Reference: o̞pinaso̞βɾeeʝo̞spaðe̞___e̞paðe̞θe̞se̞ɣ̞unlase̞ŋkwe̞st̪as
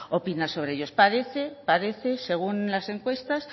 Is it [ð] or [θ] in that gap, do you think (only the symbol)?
θ